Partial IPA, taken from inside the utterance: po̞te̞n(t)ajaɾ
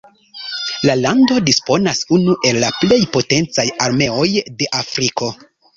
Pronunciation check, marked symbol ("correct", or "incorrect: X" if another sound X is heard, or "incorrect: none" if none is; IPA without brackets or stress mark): incorrect: t͡s